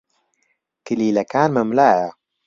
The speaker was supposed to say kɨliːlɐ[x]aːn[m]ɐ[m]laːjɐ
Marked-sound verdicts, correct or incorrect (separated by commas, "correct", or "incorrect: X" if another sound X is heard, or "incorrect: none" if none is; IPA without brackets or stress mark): incorrect: k, correct, correct